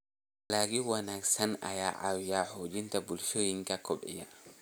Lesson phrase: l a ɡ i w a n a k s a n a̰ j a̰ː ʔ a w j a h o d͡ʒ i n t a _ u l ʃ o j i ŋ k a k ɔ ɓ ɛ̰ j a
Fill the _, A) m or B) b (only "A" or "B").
B